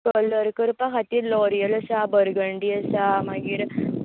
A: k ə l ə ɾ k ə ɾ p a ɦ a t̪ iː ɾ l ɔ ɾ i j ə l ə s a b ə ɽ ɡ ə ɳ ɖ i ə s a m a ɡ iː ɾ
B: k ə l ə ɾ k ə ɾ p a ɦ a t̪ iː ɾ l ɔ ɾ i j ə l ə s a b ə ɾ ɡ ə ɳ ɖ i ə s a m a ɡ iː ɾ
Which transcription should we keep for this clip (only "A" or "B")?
B